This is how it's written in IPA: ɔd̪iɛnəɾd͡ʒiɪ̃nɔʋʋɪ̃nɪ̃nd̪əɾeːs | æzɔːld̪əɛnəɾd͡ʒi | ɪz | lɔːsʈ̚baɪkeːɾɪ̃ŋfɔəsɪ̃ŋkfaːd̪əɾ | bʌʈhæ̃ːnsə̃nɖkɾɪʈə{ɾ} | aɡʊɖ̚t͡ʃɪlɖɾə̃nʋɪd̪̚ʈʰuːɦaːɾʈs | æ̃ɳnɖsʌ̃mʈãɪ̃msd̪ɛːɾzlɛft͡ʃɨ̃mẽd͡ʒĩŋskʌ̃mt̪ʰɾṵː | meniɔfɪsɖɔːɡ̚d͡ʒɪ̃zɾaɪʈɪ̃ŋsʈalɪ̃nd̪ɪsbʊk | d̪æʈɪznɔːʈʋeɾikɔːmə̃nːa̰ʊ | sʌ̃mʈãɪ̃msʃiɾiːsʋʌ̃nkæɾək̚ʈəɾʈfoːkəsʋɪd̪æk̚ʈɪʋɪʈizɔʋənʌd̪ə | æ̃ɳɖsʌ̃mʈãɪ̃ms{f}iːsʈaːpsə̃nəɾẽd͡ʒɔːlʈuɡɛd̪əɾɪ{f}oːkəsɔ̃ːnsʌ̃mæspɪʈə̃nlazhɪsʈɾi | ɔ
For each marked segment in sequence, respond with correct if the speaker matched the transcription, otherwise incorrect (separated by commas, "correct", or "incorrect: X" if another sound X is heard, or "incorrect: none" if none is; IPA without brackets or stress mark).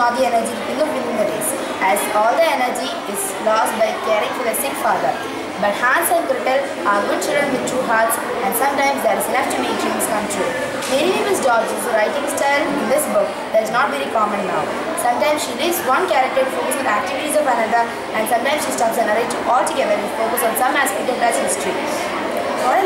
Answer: incorrect: l, incorrect: ʃ, correct